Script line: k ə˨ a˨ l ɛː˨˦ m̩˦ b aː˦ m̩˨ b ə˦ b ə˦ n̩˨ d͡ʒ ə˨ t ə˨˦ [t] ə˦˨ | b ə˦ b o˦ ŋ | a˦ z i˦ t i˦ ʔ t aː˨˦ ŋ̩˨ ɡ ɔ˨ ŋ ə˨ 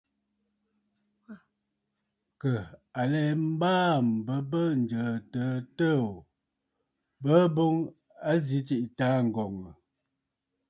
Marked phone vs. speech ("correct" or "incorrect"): correct